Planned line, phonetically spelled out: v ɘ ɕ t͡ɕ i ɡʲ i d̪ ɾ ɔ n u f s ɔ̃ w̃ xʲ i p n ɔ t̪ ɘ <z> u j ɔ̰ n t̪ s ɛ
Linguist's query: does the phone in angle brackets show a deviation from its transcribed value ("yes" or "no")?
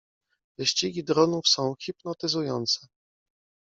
no